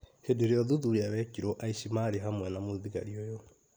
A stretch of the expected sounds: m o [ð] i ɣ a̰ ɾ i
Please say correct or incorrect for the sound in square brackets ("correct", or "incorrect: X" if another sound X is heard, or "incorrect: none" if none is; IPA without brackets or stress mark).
correct